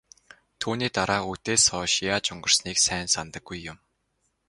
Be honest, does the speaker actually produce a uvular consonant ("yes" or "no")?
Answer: no